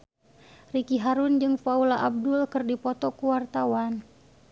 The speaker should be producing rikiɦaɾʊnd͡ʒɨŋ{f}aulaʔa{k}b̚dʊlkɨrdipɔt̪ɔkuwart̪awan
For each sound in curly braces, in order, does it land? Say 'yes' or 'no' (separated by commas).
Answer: yes, no